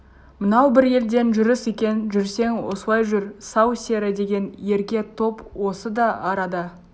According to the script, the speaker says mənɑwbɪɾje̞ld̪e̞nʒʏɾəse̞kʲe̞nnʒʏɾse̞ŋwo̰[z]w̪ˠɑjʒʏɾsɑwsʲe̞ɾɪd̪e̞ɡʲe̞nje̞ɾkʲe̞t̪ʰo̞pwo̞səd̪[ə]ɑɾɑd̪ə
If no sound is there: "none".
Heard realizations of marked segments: s, ɑ

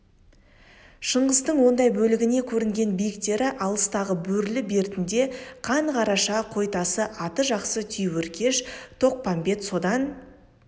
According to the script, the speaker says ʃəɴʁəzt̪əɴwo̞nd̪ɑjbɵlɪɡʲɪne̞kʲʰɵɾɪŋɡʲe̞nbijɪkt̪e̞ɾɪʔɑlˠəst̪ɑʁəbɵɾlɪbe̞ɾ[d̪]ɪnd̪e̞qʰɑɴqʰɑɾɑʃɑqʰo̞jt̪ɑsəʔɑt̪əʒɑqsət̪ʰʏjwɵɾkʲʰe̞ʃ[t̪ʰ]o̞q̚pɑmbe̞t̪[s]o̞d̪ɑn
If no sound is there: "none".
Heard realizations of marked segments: t̪, t̪ʰ, s

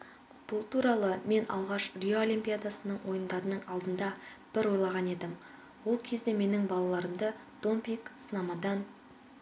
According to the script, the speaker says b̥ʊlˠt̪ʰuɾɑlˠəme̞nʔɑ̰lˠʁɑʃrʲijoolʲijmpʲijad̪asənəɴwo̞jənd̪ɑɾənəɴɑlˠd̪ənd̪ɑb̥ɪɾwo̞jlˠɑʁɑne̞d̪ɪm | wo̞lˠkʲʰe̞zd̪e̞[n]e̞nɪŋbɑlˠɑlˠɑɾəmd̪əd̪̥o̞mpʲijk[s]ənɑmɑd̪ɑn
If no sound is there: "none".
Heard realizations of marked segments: m, s

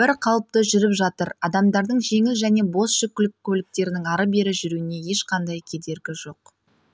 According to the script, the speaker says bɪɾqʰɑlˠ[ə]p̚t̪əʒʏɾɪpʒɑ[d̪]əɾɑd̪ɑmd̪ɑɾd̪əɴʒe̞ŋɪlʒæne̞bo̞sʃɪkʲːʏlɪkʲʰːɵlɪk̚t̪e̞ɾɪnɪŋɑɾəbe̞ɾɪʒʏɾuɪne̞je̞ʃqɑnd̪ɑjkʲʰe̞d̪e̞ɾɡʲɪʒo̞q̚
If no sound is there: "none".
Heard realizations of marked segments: ə, t̪

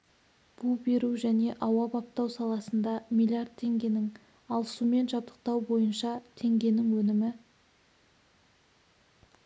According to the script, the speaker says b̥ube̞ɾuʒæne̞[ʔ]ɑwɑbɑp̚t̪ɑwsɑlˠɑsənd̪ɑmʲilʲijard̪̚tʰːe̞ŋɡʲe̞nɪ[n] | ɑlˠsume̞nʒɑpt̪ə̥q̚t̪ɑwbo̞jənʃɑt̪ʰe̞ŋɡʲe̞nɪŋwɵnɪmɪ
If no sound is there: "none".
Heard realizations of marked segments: ʔ, ŋ

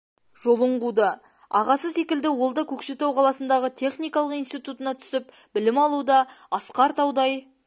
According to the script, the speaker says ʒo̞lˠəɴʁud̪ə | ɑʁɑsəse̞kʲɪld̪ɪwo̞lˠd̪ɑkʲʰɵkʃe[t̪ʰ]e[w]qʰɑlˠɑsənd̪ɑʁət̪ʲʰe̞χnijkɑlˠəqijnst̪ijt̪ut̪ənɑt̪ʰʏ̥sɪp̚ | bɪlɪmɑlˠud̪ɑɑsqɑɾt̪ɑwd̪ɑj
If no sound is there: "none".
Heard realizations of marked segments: t̪, w

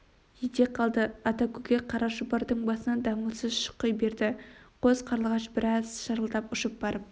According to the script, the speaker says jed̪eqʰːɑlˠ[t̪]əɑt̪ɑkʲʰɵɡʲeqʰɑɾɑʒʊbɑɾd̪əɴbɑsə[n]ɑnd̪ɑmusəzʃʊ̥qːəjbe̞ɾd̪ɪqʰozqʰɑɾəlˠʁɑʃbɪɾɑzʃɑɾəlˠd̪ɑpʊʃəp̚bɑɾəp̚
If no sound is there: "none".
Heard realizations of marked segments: d̪, n

